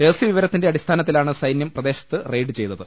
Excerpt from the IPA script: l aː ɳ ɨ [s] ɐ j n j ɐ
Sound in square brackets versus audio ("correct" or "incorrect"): correct